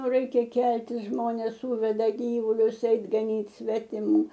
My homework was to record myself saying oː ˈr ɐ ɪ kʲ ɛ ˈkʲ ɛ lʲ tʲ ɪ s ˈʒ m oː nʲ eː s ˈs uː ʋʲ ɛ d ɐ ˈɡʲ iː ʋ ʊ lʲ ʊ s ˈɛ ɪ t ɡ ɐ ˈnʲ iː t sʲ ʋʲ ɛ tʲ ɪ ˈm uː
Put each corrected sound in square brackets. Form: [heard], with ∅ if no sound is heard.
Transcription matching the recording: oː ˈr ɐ ɪ kʲ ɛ ˈkʲ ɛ lʲ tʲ ɪ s ˈʒ m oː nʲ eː s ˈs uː ʋʲ ɛ d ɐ ˈɡʲ iː ʋ ʊ lʲ ʊ s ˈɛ ɪ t ɡ ɐ ˈnʲ iː t sʲ ʋʲ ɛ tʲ ɪ ˈm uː